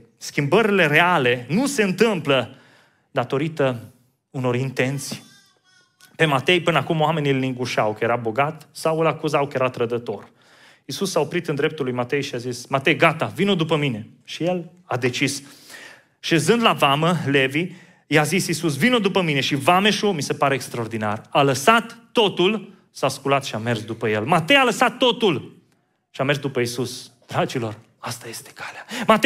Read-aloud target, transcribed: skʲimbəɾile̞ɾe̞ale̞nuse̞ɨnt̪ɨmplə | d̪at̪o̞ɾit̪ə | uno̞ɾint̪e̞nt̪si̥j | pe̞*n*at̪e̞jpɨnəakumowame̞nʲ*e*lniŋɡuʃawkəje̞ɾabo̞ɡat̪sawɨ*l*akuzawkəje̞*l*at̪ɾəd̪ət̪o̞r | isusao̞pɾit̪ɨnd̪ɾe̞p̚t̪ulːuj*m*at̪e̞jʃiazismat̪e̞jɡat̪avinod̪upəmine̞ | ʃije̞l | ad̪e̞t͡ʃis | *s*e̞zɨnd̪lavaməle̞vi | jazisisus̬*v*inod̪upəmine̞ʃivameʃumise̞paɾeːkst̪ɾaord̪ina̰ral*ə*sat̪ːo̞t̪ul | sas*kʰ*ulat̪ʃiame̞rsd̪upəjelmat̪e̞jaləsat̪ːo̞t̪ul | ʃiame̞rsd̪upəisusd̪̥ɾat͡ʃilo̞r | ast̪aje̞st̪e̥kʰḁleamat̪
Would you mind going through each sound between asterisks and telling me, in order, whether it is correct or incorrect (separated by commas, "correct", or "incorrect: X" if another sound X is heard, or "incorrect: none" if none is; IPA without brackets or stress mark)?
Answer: incorrect: m, incorrect: i, correct, incorrect: ɾ, correct, incorrect: ʃ, correct, correct, incorrect: k